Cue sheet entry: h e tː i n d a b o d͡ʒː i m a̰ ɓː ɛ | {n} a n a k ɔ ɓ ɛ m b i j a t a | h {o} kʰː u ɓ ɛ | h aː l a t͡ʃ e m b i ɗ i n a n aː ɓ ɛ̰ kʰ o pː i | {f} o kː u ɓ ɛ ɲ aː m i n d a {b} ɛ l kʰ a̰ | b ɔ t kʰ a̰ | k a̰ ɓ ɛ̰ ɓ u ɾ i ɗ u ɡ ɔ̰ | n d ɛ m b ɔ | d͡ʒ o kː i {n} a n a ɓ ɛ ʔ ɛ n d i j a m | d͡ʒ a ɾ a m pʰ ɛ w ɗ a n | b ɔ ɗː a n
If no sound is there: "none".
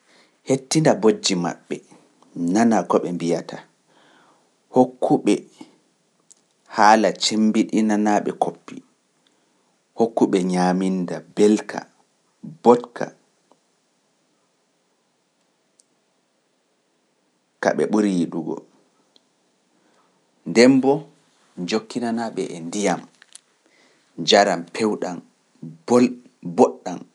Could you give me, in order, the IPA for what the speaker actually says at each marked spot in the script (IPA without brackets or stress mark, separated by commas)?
n, o, h, b, n